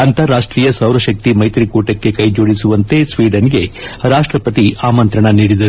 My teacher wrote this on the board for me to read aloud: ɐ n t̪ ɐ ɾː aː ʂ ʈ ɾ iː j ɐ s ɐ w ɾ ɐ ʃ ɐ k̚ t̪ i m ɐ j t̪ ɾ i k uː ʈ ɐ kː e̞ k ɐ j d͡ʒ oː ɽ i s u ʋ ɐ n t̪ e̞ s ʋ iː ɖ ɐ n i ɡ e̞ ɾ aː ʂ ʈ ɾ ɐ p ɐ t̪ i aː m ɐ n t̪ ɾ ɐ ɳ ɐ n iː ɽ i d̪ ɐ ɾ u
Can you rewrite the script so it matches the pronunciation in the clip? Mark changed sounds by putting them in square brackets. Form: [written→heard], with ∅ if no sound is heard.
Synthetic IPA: ɐ n t̪ ɐ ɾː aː ʂ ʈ ɾ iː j ɐ s ɐ w ɾ ɐ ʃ ɐ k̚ t̪ i m ɐ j t̪ ɾ i k uː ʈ ɐ kː e̞ k ɐ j d͡ʒ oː ɽ i s u ʋ ɐ n t̪ e̞ s ʋ iː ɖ ɐ n i ɡ e̞ ɾ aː ʂ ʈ ɾ ɐ p ɐ t̪ i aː m ɐ n t̪ ɾ ɐ ɳ ɐ n iː ɽ i d̪ ɐ ɾ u

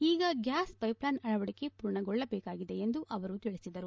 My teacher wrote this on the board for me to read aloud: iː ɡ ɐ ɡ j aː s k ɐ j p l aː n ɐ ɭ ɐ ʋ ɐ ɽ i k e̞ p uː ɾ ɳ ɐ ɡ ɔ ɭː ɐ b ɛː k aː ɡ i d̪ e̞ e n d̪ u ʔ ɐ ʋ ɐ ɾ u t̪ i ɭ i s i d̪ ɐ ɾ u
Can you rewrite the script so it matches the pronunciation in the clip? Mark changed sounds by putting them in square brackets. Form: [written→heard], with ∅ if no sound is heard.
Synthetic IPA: iː ɡ ɐ ɡ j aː s [k→p] ɐ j p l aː n ɐ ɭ ɐ ʋ ɐ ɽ i k e̞ p uː ɾ ɳ ɐ ɡ ɔ ɭː ɐ b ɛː k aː ɡ i d̪ e̞ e n d̪ u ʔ ɐ ʋ ɐ ɾ u t̪ i ɭ i s i d̪ ɐ ɾ u

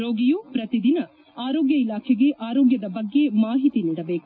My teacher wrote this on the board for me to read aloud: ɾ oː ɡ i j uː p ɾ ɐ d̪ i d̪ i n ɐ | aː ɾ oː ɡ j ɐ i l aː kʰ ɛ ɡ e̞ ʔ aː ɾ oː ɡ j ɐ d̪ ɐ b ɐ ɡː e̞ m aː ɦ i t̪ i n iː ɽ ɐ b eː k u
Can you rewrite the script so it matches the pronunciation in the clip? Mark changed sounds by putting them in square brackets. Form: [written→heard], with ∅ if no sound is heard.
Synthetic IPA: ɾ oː ɡ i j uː p ɾ ɐ [d̪→t̪] i d̪ i n ɐ | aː ɾ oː ɡ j ɐ i l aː kʰ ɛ ɡ e̞ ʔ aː ɾ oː ɡ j ɐ d̪ ɐ b ɐ ɡː e̞ m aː ɦ i t̪ i n iː ɽ ɐ b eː k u

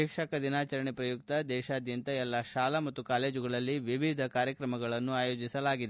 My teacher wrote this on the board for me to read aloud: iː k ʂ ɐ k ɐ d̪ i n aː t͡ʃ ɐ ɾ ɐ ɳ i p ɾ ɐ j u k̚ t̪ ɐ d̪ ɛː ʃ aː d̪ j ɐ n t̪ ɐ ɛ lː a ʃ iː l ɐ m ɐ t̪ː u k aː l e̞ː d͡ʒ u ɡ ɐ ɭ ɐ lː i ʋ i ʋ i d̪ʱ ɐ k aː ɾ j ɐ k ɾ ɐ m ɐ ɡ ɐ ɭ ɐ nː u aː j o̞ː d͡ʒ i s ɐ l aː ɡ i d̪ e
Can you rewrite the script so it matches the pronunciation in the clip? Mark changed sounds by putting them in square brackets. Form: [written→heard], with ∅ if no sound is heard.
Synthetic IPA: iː k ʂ ɐ k ɐ d̪ i n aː t͡ʃ ɐ ɾ ɐ ɳ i p ɾ ɐ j u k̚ t̪ ɐ d̪ ɛː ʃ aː d̪ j ɐ n t̪ ɐ ɛ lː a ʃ [iː→aː] l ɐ m ɐ t̪ː u k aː l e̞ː d͡ʒ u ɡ ɐ ɭ ɐ lː i ʋ i ʋ i d̪ʱ ɐ k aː ɾ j ɐ k ɾ ɐ m ɐ ɡ ɐ ɭ ɐ nː u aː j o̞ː d͡ʒ i s ɐ l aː ɡ i d̪ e

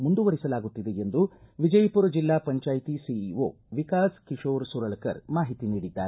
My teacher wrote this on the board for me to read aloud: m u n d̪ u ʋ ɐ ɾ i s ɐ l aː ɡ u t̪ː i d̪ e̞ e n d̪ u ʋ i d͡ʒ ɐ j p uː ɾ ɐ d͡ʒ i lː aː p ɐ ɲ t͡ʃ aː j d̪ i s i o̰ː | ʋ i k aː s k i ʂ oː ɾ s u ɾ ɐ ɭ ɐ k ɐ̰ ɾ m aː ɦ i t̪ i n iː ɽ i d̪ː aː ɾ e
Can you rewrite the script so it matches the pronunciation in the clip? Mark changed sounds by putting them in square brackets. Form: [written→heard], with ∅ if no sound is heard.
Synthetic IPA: m u n d̪ u ʋ ɐ ɾ i s ɐ l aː ɡ u t̪ː i d̪ e̞ e n d̪ u ʋ i d͡ʒ ɐ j p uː ɾ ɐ d͡ʒ i lː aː p ɐ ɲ t͡ʃ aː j [d̪→t̪] i s i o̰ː | ʋ i k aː s k i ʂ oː ɾ s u ɾ ɐ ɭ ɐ k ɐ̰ ɾ m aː ɦ i t̪ i n iː ɽ i d̪ː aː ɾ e

